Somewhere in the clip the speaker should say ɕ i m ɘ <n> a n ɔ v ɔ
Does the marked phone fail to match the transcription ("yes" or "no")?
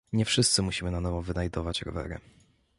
no